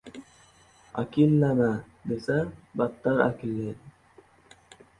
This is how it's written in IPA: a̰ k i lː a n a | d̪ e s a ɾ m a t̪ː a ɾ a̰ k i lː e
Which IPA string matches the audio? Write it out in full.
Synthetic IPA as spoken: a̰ k i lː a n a | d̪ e s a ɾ b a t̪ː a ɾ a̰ k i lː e